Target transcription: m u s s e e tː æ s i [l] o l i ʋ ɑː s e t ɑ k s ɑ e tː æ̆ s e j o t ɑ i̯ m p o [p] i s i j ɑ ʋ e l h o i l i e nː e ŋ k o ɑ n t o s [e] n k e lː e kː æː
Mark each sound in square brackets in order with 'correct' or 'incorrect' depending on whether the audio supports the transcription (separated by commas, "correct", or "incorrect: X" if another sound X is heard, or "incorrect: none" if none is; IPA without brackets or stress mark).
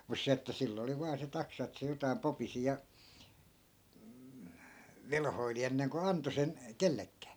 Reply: incorrect: lː, correct, correct